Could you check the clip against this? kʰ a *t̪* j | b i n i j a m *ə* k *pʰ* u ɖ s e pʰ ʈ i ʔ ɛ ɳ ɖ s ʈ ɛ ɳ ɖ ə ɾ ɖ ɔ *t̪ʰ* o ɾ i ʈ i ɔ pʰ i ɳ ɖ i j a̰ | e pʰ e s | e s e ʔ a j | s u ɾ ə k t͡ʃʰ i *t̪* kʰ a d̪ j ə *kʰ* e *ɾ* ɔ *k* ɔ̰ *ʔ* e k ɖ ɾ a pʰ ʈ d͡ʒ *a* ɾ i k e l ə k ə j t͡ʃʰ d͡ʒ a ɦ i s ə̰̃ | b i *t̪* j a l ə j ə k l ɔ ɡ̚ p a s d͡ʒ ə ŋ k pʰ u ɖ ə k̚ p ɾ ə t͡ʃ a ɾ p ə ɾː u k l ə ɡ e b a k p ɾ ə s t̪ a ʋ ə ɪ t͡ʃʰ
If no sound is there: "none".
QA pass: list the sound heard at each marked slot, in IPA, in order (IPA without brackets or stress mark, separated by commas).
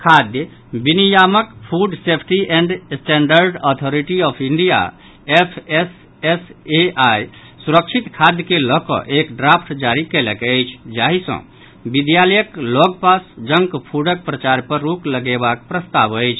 d̪, ə, pʰ, t̪ʰ, t̪, k, l, k, ʔ, a, d̪